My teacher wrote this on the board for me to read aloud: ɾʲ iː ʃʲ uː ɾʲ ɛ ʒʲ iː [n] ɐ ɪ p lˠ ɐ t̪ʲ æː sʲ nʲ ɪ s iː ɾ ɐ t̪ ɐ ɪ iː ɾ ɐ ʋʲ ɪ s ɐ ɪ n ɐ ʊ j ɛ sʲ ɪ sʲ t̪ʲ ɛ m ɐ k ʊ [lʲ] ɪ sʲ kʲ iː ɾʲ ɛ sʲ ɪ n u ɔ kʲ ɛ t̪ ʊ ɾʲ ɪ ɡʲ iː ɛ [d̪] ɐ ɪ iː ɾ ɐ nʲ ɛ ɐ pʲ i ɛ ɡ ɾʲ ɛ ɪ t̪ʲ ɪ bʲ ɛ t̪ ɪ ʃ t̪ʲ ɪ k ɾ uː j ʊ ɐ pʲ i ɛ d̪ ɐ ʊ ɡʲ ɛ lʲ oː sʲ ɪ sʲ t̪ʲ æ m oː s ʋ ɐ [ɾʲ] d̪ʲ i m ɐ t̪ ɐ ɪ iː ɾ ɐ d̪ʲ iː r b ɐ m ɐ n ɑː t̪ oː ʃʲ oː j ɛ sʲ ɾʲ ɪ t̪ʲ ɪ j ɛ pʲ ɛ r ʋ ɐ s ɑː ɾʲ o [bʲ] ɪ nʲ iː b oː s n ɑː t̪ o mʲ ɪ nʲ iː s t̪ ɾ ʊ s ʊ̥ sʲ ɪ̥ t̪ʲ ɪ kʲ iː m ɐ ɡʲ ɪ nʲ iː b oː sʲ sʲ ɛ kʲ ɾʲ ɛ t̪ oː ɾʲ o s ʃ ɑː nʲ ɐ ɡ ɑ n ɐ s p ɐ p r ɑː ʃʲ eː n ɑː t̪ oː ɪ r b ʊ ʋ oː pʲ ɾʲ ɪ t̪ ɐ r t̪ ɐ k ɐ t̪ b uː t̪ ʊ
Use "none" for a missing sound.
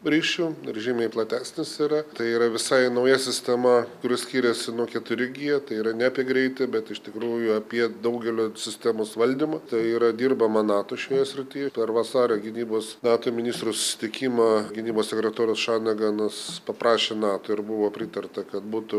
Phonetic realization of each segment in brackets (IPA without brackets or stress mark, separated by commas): m, ɾʲ, t̪, lʲ, ɡʲ